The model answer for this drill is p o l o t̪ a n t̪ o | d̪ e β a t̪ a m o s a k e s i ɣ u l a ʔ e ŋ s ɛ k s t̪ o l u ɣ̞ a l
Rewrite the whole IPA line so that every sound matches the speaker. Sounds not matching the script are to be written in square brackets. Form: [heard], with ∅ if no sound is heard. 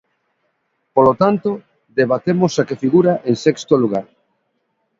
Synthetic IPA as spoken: p o l o t̪ a n t̪ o | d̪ e β a t̪ [e] m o s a k e [f] i ɣ u [ɾ] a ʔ e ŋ s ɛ k s t̪ o l u ɣ̞ a [ɾ]